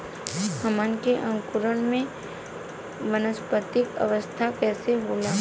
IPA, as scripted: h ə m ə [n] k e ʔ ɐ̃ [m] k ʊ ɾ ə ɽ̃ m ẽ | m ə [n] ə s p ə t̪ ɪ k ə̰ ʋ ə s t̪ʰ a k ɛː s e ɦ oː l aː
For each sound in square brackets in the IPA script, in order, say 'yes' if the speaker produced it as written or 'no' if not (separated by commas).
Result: yes, no, yes